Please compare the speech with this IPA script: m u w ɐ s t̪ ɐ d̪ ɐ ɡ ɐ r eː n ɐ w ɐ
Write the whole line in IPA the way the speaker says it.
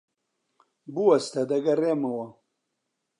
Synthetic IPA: b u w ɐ s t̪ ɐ d̪ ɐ ɡ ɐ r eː m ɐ w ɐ

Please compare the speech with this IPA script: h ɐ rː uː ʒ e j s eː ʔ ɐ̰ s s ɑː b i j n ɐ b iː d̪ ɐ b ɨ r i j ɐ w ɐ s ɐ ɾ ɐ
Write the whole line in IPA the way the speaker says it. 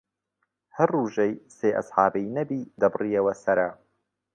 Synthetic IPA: h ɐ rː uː ʒ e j s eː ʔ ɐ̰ s ħ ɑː b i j n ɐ b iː d̪ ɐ b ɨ r i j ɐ w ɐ s ɐ ɾ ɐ

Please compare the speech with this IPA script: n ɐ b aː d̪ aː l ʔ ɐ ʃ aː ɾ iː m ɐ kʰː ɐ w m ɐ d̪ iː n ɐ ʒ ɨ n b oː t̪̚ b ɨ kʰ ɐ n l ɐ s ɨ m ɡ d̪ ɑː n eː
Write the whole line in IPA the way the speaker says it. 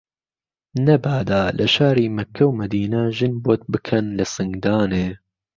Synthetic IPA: n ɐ b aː d̪ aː l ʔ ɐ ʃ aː ɾ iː m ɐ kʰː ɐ w m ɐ d̪ iː n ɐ ʒ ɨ n b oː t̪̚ b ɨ kʰ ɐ n l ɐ s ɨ ŋ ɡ d̪ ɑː n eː

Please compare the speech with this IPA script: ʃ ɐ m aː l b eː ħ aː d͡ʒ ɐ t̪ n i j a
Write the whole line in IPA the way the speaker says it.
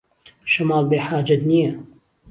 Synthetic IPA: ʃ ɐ m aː l b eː ħ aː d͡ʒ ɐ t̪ n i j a

